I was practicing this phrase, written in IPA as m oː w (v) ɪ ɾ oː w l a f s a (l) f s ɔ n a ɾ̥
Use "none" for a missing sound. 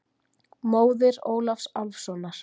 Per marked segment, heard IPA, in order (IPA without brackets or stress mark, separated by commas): ð, l